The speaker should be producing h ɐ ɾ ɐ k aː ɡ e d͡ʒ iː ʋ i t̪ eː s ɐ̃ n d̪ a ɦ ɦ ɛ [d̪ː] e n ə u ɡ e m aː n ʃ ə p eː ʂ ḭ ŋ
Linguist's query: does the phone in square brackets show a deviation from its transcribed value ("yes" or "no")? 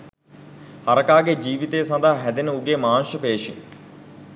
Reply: yes